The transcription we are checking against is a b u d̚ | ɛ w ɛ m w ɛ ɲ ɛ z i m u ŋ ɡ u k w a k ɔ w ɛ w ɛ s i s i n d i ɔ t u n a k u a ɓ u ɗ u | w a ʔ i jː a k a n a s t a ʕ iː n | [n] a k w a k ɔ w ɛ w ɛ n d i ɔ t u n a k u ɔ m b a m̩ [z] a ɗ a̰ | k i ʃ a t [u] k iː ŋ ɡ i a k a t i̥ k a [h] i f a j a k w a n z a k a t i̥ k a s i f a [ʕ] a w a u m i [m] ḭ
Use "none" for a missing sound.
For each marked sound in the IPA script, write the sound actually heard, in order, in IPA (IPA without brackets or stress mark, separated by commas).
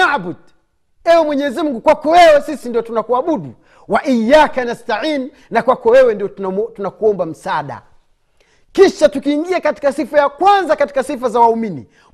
n, s, u, s, z, n